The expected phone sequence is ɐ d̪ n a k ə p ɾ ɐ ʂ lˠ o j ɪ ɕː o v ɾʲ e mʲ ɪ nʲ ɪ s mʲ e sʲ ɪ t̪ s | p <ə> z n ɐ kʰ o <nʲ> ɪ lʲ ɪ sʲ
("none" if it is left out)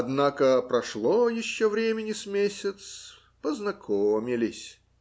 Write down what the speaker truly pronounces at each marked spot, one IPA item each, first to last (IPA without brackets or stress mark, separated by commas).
ə, mʲ